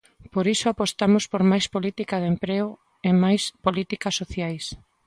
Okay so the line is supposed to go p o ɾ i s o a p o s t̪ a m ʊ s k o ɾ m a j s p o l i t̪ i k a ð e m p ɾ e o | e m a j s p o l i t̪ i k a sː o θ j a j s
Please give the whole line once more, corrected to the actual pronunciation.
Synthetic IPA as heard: p o ɾ i s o a p o s t̪ a m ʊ s p o ɾ m a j s p o l i t̪ i k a ð e m p ɾ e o | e m a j s p o l i t̪ i k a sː o θ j a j s